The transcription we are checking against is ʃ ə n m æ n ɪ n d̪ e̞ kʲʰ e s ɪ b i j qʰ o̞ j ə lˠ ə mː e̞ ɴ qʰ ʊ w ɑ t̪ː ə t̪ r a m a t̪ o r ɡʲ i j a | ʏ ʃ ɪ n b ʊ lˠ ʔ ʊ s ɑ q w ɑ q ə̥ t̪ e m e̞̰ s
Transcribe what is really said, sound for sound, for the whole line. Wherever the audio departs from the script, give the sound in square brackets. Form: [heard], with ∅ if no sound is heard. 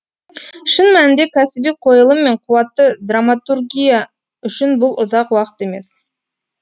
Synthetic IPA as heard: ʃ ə n m æ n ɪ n d̪ e̞ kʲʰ [æ] s ɪ b i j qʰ o̞ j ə lˠ ə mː e̞ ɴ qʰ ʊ w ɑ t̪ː ə [d̪] r a m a t̪ [u] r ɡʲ i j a | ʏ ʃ ɪ n b ʊ lˠ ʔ ʊ [z] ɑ q w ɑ q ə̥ t̪ e m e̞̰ s